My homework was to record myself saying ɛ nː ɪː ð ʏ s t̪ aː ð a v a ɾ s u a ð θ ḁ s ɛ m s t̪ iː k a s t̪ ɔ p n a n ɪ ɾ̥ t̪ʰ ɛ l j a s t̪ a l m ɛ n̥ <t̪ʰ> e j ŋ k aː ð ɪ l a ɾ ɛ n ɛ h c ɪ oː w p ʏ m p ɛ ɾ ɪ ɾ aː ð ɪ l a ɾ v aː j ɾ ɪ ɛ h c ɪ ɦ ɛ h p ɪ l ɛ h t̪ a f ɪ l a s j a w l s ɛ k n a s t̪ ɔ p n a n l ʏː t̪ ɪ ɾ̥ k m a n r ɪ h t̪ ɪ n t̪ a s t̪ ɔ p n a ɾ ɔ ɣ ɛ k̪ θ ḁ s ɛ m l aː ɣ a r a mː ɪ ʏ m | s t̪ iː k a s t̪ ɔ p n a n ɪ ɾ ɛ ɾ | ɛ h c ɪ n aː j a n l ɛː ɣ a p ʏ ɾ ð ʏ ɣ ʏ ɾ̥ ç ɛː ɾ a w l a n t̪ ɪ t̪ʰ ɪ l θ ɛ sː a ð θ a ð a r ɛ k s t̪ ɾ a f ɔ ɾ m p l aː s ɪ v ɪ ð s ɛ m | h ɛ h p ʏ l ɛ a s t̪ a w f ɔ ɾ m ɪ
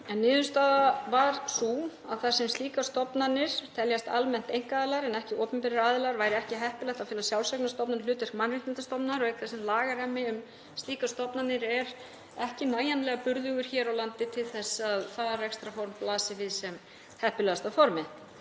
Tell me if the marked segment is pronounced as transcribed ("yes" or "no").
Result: no